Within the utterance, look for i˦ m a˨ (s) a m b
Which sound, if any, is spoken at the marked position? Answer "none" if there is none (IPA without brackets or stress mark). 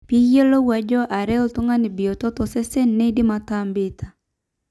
t